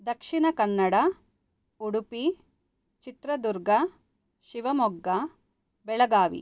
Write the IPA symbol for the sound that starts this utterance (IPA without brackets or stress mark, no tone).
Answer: d̪